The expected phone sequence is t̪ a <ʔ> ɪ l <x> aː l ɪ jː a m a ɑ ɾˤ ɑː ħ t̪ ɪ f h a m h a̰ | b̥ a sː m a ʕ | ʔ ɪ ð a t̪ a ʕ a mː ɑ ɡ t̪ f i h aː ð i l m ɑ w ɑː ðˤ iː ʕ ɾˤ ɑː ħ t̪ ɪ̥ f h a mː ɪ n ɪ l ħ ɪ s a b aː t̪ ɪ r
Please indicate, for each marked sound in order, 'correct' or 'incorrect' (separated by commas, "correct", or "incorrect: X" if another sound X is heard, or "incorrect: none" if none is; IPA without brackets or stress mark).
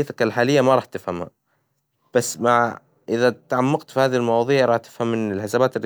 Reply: incorrect: k, incorrect: ħ